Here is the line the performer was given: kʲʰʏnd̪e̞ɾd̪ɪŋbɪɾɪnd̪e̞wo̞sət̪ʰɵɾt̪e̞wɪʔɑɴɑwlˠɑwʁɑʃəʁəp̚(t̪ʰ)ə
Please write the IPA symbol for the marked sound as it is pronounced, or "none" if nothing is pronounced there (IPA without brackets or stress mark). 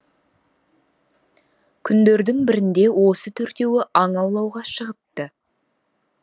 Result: t̪